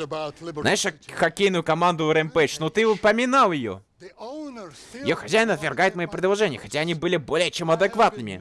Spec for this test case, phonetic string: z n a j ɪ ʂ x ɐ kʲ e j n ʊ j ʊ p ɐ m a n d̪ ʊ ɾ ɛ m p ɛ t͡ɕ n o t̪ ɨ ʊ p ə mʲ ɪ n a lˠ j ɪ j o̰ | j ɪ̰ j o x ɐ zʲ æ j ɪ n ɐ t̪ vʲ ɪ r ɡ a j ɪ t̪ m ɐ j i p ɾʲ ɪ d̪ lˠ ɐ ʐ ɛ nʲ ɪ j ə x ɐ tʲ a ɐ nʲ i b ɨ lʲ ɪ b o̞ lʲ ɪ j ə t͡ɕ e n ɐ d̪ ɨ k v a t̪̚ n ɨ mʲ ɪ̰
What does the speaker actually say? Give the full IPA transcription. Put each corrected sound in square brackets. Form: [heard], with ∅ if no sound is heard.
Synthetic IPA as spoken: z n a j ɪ ʂ x ɐ kʲ e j n ʊ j ʊ [k] ɐ m a n d̪ ʊ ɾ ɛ m p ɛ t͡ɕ n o t̪ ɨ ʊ p ə mʲ ɪ n a lˠ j ɪ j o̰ | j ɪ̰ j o x ɐ zʲ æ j ɪ n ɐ t̪ vʲ ɪ r ɡ a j ɪ t̪ m ɐ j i p ɾʲ ɪ d̪ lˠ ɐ ʐ ɛ nʲ ɪ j ə x ɐ tʲ a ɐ nʲ i b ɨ lʲ ɪ b o̞ lʲ ɪ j ə t͡ɕ e [m] ɐ d̪ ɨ k v a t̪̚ n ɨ mʲ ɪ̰